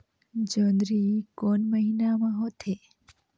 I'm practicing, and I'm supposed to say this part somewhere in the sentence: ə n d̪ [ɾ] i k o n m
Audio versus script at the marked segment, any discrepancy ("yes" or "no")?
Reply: no